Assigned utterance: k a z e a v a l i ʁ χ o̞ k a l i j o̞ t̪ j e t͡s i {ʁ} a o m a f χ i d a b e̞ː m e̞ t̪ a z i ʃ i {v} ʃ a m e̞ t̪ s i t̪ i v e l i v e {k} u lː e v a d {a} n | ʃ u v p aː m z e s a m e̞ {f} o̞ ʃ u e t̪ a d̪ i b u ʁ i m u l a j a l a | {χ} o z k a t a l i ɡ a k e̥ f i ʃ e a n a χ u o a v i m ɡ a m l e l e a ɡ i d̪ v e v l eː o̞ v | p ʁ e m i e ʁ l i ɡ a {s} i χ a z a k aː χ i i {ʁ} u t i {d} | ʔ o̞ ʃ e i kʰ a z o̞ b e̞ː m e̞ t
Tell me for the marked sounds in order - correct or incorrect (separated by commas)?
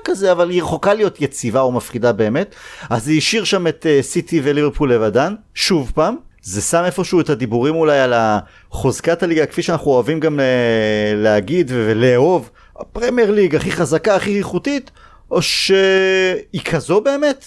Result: incorrect, incorrect, incorrect, correct, correct, correct, incorrect, incorrect, incorrect